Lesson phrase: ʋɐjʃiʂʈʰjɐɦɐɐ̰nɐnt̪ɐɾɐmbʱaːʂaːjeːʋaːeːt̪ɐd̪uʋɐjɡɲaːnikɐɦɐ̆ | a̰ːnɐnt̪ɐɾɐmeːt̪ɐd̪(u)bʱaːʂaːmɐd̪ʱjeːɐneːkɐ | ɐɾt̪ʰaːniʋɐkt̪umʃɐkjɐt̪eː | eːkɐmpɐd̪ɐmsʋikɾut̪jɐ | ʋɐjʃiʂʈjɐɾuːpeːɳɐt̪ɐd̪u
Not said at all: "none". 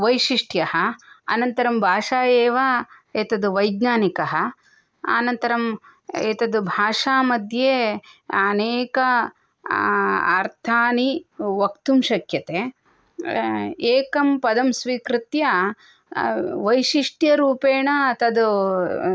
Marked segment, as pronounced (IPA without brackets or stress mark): u